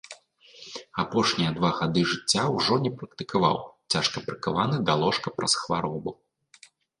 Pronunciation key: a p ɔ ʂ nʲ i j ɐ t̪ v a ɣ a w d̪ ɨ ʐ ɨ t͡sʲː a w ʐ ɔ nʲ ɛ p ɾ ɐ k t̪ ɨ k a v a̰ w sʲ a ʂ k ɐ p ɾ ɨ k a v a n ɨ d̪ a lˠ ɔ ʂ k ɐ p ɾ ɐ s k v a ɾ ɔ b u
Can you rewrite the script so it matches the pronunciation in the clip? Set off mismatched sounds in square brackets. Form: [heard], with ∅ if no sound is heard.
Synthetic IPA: a p ɔ ʂ nʲ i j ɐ [d̪] v a ɣ a [∅] d̪ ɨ ʐ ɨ t͡sʲː a w ʐ ɔ nʲ ɛ p ɾ ɐ k t̪ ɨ k a v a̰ w [t͡sʲ] a ʂ k ɐ p ɾ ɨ k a v a n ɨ d̪ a lˠ ɔ ʂ k ɐ p ɾ ɐ s [x] v a ɾ ɔ b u